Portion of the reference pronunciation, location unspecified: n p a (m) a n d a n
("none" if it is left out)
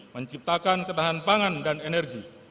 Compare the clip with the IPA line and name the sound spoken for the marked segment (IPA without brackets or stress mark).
ŋ